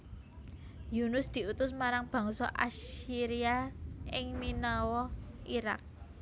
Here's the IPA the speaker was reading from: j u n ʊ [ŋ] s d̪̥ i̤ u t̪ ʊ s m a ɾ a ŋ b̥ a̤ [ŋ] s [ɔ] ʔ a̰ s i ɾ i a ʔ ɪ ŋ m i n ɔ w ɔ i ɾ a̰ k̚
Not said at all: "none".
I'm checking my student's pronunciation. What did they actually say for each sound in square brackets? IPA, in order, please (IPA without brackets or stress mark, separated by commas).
none, ŋ, ɔ